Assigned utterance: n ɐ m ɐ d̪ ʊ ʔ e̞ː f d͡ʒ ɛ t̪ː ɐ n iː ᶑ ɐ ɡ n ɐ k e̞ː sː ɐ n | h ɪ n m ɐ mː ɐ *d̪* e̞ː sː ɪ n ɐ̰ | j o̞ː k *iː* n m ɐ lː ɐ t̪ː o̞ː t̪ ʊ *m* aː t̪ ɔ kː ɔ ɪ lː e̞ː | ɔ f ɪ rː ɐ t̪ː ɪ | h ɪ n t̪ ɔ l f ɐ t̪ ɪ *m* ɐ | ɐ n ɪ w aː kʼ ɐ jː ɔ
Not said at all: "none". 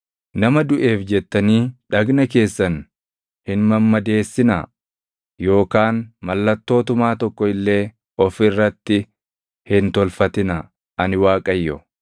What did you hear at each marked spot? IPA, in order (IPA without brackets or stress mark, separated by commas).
d̪, aː, m, n